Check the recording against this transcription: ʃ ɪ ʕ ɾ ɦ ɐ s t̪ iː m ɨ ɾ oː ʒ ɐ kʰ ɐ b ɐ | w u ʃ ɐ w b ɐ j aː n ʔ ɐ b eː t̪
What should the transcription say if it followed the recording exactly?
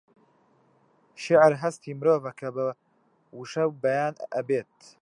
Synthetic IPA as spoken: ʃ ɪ ʕ ɾ ɦ ɐ s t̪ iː m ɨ ɾ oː v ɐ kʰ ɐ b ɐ | w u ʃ ɐ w b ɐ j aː n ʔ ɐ b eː t̪